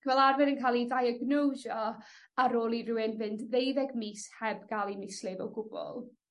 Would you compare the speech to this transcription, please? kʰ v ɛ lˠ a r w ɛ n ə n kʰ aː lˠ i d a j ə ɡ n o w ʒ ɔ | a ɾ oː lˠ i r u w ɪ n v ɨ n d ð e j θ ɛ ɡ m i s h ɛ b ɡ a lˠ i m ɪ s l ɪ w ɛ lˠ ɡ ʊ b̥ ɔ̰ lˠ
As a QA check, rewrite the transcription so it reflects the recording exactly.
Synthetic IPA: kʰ v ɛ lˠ a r v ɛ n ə n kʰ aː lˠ i d a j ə ɡ n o w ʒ ɔ | a ɾ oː lˠ i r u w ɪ n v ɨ n d ð e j ð ɛ ɡ m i s h ɛ b ɡ a lˠ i m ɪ s l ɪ v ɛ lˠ ɡ ʊ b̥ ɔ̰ lˠ